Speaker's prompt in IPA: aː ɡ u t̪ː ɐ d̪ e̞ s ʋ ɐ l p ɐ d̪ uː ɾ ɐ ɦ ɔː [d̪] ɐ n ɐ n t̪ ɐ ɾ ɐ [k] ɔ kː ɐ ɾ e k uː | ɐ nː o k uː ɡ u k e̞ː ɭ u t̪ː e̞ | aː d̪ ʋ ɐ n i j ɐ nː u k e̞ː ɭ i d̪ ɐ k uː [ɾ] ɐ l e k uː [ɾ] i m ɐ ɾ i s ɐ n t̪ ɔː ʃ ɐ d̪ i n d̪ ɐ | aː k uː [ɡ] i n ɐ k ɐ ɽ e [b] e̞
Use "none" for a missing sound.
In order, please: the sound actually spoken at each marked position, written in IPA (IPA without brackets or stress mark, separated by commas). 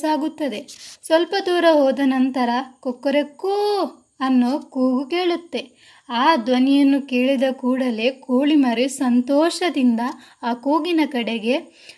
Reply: d̪, k, ɽ, ɭ, ɡ, ɡ